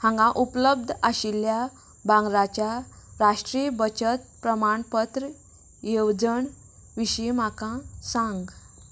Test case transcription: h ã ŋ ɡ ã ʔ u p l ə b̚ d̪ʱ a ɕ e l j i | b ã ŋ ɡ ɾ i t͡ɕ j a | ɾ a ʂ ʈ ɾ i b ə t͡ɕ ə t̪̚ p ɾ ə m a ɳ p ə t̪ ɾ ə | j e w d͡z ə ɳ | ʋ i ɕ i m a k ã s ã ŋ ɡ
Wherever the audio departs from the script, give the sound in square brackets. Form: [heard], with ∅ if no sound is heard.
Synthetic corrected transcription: h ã ŋ ɡ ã ʔ u p l ə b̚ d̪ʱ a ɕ [i] l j [a] | b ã ŋ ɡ ɾ [a] t͡ɕ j a | ɾ a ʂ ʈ ɾ i b ə t͡ɕ ə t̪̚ p ɾ ə m a ɳ p ə t̪ ɾ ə | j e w d͡z ə ɳ | ʋ i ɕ i m a k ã s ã ŋ ɡ